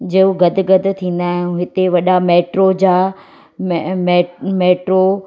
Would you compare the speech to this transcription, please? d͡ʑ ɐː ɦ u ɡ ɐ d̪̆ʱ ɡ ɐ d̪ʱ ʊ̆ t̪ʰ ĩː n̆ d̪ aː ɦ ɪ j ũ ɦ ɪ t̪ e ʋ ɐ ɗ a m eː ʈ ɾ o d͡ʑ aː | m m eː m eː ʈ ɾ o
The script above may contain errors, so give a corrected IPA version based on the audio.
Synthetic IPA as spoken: d͡ʑ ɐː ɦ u ɡ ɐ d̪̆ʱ ɡ ɐ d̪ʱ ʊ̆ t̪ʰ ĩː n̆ d̪ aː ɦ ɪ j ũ ɦ ɪ t̪ e ʋ ɐ ɗ a m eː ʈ ɾ o d͡ʑ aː | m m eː m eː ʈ ɾ o